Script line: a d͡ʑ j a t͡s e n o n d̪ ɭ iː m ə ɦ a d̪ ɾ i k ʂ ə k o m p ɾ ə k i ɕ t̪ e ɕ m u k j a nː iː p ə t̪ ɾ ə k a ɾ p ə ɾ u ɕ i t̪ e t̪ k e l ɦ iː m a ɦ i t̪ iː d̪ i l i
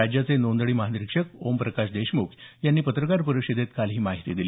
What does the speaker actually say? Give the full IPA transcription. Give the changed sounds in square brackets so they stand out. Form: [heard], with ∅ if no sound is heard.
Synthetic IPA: a d͡ʑ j a t͡s e n o n d̪ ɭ iː m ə ɦ a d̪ ɾ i k ʂ ə k o m p ɾ ə k [a] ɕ [d̪] e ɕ m u k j a nː iː p ə t̪ ɾ ə k a ɾ p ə ɾ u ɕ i [d̪] e t̪ k [a] l ɦ iː m a ɦ i t̪ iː d̪ i l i

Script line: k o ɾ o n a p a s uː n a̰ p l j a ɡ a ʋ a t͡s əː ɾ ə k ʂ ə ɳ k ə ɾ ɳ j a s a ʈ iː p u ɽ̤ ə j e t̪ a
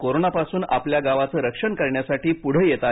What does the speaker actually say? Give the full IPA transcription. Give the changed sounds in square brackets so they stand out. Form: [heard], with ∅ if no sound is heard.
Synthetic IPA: k o ɾ o n a p a s uː n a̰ p l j a ɡ a ʋ a t͡s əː ɾ ə k ʂ ə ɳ k ə ɾ ɳ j a s a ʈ iː p u ɽ̤ ə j e t̪ a

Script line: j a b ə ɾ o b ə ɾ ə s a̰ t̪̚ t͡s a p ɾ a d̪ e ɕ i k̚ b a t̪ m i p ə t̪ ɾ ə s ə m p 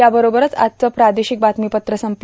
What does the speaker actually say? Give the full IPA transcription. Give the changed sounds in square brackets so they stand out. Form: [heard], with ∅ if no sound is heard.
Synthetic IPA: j a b ə ɾ o b ə ɾ ə [t͡s] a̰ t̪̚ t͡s [ə] p ɾ a d̪ e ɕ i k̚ b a t̪ m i p ə t̪ ɾ ə s ə m p

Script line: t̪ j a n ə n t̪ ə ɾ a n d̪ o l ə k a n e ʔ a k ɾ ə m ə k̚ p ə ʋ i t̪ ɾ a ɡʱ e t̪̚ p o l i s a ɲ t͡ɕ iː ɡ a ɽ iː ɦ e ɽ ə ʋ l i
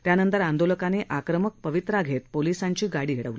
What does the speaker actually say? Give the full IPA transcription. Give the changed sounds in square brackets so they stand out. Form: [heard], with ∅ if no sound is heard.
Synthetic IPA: t̪ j a n ə n t̪ ə ɾ a n d̪ o l ə k a n e ʔ a k ɾ ə m ə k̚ p ə ʋ i t̪ ɾ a ɡʱ e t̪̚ p o l i s a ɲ t͡ɕ iː ɡ a ɽ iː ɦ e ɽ ə ʋ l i

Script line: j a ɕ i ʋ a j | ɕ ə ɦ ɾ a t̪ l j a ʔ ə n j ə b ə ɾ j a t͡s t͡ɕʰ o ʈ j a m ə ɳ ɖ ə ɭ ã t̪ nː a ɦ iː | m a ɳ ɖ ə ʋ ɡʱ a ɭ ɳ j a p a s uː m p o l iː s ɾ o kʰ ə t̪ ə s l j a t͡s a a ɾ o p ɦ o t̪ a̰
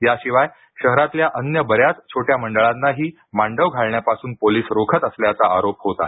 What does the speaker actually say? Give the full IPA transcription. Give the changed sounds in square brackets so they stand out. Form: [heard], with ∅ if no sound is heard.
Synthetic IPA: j a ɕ i ʋ a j | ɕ ə ɦ ɾ a t̪ l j a ʔ ə n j ə b ə ɾ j a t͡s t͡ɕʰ o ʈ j a m ə ɳ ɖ ə ɭ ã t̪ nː a ɦ iː | m a ɳ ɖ ə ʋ ɡʱ a ɭ ɳ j a p a s uː [n] p o l iː s ɾ o kʰ ə t̪ ə s l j a t͡s a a ɾ o p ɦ o t̪ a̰

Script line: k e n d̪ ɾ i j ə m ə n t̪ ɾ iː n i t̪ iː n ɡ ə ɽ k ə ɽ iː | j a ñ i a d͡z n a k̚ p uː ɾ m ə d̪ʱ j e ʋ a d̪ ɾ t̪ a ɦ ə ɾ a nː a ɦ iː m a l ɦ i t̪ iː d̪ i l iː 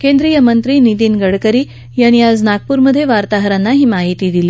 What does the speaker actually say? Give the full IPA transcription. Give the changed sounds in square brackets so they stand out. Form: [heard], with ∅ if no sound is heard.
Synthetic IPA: k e n d̪ ɾ i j ə m ə n t̪ ɾ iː n i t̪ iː n ɡ ə ɽ k ə [ɾ] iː | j a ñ i a d͡z n a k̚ p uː ɾ m ə d̪ʱ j e ʋ a [∅] ɾ t̪ a ɦ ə ɾ a nː a ɦ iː m a [∅] ɦ i t̪ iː d̪ i l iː

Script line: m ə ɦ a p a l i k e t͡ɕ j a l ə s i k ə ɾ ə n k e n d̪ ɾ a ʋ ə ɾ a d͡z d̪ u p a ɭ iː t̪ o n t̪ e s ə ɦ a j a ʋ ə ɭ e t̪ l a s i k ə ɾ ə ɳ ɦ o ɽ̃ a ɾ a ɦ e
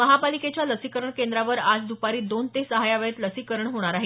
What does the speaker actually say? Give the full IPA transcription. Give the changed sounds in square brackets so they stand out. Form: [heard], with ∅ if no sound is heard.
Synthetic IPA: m ə ɦ a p a l i k e t͡ɕ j a l ə s i k ə ɾ ə [ɳ] k e n d̪ ɾ a ʋ ə ɾ a d͡z d̪ u p a [ɾ] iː [d̪] o n t̪ e s ə ɦ a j a ʋ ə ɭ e t̪ l [ə] s i k ə ɾ ə ɳ ɦ o ɽ̃ a ɾ a ɦ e

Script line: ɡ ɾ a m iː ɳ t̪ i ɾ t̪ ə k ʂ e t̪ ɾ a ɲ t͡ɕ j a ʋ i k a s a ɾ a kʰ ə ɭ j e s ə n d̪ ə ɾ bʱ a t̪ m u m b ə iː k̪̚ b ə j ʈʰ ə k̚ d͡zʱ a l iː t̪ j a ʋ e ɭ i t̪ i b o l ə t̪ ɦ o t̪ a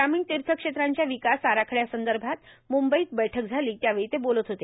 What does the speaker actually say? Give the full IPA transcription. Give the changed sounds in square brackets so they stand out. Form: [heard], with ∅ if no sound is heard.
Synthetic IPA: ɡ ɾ a m iː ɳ t̪ i ɾ [t̪ʰ] ə k ʂ e t̪ ɾ a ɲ t͡ɕ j a ʋ i k a s a ɾ a kʰ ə ɭ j [a] s ə n d̪ ə ɾ bʱ a t̪ m u m b ə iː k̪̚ b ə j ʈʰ ə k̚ d͡zʱ a l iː t̪ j a ʋ e ɭ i t̪ [e] b o l ə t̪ ɦ o t̪ [e]

